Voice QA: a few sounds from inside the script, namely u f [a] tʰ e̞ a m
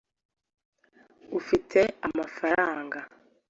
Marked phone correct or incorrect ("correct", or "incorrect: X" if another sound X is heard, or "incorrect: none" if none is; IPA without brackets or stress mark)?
incorrect: i